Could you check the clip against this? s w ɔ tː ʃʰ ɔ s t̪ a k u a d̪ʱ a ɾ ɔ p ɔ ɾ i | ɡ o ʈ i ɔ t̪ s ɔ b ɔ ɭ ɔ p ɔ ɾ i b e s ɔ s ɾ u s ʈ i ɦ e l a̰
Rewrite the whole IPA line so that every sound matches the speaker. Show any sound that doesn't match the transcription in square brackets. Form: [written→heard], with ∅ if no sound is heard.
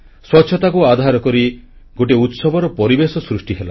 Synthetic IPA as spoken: s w ɔ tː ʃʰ ɔ [s→∅] t̪ a k u a d̪ʱ a ɾ ɔ [p→k] ɔ ɾ i | ɡ o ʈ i [ɔ→u] t̪ s ɔ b ɔ [ɭ→ɾ] ɔ p ɔ ɾ i b e s ɔ s ɾ u s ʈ i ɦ e l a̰

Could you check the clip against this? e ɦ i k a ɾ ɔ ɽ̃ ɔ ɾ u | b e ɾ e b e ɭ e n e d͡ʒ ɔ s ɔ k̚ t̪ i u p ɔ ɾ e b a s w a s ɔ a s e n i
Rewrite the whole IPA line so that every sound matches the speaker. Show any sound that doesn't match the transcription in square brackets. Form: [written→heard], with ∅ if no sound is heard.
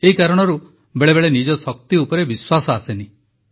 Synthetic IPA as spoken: e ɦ i k a ɾ ɔ ɽ̃ ɔ ɾ u | b e [ɾ→ɭ] e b e ɭ e n [e→i] d͡ʒ ɔ s ɔ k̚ t̪ i u p ɔ ɾ e b [a→i] s w a s ɔ a s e n i

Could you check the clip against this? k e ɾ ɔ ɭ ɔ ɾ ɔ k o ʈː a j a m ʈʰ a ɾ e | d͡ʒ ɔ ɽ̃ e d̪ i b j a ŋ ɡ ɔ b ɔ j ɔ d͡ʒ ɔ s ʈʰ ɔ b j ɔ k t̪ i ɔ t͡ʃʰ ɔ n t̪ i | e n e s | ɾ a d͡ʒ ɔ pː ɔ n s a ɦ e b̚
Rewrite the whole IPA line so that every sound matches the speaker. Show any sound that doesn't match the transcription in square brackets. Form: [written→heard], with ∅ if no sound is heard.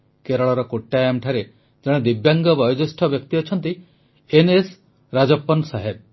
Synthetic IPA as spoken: k e ɾ ɔ ɭ ɔ ɾ ɔ k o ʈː a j a m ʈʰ a ɾ e | d͡ʒ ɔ ɽ̃ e d̪ i b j a ŋ ɡ ɔ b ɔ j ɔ d͡ʒ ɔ s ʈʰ ɔ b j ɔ k t̪ i ɔ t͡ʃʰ ɔ n t̪ i | e n e s | ɾ a d͡ʒ ɔ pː ɔ n s a ɦ e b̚

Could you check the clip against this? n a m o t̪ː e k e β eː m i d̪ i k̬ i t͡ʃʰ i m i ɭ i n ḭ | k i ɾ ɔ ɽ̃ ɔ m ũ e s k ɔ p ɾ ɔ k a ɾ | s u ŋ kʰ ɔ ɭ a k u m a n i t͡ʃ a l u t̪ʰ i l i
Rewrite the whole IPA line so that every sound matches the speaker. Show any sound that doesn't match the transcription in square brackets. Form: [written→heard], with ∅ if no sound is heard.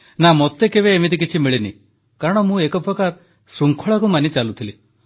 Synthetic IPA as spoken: n a m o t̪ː e k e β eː m i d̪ i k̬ i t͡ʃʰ i m i ɭ i n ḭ | k [i→a] ɾ ɔ ɽ̃ ɔ m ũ e [s→∅] k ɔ p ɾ ɔ k a ɾ | s u ŋ kʰ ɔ ɭ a k u m a n i t͡ʃ a l u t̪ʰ i l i

